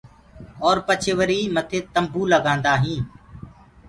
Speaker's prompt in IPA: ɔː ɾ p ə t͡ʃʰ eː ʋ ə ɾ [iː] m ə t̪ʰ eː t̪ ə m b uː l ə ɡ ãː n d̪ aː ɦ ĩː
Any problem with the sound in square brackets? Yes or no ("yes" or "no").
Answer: no